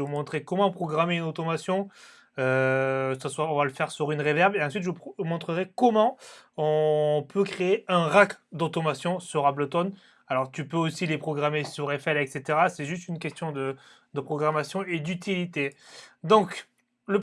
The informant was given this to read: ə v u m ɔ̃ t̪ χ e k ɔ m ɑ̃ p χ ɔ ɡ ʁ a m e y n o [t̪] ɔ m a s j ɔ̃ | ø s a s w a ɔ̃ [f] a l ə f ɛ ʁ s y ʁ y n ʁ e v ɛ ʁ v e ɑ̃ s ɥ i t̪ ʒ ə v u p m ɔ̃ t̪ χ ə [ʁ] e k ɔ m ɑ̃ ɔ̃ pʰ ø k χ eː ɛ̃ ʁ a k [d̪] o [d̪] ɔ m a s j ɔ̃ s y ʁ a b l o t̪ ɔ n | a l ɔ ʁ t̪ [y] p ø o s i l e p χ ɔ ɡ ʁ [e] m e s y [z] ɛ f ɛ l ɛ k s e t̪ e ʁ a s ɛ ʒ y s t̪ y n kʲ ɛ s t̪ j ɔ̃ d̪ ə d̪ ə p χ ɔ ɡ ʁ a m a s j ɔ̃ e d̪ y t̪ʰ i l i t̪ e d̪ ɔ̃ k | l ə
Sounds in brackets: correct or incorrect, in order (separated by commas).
correct, incorrect, correct, correct, incorrect, correct, incorrect, incorrect